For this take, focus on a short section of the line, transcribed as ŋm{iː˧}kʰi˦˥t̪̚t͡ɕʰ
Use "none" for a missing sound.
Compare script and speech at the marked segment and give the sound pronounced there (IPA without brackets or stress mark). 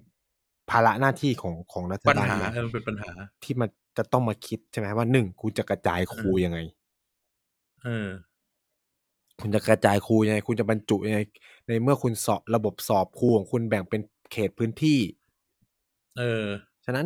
aː˧